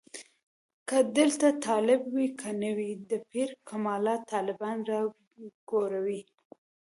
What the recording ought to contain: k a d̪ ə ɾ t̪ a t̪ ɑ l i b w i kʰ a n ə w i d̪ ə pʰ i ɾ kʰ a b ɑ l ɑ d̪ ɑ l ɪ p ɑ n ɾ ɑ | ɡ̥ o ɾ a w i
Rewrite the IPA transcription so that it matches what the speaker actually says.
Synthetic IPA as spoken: k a d̪ ə l t̪ a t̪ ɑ l ɪ b w i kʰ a n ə w i d̪ ə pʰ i ɾ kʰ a m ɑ l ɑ t̪ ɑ l ɪ b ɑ n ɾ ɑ | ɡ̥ o ɾ a w i